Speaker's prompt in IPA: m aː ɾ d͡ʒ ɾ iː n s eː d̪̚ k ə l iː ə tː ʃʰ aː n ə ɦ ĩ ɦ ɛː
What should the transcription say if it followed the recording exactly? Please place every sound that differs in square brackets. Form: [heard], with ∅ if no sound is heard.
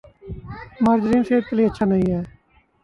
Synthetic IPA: m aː ɾ d͡ʒ ɾ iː n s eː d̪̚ k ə l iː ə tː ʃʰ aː n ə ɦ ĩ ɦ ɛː